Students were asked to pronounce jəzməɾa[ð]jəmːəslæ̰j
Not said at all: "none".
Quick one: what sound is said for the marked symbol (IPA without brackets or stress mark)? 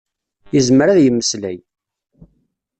ð